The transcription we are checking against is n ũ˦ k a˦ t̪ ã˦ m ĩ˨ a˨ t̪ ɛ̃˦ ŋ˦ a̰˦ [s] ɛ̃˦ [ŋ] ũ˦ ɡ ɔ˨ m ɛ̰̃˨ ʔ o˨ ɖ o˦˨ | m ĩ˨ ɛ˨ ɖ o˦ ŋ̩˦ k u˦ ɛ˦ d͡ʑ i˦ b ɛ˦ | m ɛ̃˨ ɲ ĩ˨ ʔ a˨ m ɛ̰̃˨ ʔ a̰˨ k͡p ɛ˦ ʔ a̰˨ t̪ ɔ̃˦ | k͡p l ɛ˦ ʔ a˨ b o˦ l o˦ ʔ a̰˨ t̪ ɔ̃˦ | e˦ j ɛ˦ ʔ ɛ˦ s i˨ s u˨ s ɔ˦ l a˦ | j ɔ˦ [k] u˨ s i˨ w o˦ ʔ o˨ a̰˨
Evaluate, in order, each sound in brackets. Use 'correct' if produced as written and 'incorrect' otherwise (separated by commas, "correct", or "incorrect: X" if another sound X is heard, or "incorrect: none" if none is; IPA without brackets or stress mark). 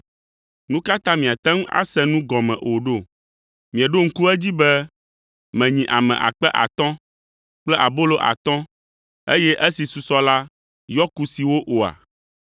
correct, incorrect: n, correct